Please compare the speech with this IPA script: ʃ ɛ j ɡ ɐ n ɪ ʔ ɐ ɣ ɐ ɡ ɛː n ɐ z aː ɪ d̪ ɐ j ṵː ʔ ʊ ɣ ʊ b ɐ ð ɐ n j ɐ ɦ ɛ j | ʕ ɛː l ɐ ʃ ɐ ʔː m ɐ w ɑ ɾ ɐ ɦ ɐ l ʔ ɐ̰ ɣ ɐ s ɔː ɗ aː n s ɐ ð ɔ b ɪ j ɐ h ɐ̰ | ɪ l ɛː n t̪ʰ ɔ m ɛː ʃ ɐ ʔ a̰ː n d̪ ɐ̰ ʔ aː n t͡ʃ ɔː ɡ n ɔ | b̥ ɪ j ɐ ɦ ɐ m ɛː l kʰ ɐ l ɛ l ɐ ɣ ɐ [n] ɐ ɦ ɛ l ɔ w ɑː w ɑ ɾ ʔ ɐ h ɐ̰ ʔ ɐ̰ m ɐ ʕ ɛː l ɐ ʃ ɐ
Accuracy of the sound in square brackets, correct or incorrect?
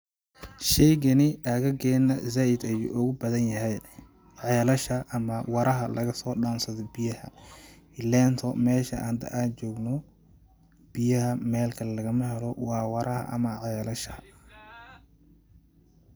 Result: incorrect